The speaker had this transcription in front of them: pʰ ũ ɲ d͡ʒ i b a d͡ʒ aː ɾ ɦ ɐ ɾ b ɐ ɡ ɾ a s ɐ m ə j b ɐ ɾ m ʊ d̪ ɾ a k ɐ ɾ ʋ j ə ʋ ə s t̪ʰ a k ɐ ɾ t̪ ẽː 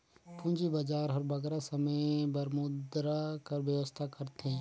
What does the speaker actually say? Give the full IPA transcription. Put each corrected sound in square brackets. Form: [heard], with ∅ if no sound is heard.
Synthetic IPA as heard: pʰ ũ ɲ d͡ʒ i b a d͡ʒ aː ɾ ɦ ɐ ɾ b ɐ ɡ ɾ a s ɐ m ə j b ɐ ɾ m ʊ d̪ ɾ a k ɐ ɾ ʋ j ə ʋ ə s t̪ʰ a k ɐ ɾ t̪ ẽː